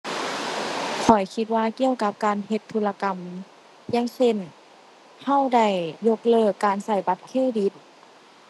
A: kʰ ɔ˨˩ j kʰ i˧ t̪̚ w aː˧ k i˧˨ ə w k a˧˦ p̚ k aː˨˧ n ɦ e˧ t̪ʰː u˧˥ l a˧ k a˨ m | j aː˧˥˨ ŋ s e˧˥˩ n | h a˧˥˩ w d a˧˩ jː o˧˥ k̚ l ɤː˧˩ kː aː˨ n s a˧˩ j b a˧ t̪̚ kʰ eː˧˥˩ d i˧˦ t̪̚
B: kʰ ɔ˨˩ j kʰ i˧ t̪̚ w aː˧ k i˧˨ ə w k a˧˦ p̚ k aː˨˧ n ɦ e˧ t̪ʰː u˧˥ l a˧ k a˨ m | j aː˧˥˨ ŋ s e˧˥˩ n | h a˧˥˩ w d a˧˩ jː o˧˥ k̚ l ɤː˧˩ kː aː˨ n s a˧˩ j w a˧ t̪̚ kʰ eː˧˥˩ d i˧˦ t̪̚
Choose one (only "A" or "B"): A